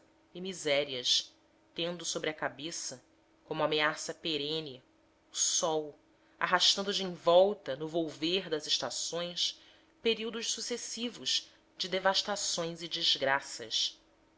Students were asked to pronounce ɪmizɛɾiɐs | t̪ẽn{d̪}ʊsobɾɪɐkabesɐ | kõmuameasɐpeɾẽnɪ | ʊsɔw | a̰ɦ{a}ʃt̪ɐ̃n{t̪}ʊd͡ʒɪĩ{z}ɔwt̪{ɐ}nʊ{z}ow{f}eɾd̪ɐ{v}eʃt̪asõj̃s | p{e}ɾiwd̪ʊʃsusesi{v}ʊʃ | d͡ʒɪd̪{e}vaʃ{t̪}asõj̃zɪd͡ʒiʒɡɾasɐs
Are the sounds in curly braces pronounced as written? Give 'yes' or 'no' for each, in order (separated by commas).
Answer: yes, yes, no, no, yes, no, no, no, yes, yes, yes, yes